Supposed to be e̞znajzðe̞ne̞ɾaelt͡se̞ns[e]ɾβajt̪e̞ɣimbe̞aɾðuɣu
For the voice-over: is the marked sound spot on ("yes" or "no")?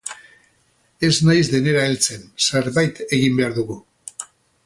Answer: yes